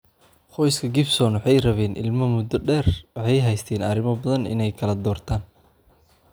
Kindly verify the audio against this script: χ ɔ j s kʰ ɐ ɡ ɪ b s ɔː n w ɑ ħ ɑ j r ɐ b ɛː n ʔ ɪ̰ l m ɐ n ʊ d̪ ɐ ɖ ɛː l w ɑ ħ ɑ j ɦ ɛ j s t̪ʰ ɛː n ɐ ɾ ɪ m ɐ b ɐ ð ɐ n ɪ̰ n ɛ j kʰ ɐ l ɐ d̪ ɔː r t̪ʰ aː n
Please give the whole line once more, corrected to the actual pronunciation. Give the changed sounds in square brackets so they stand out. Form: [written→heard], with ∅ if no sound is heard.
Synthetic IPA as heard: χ ɔ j s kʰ ɐ ɡ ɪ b s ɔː n w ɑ ħ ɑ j r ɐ [b→β] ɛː n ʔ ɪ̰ l m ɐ [n→m] ʊ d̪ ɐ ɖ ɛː [l→r] w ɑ ħ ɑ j ɦ ɛ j s t̪ʰ ɛː n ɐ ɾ ɪ m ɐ b ɐ ð ɐ n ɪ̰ n ɛ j kʰ ɐ l ɐ d̪ ɔː r t̪ʰ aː n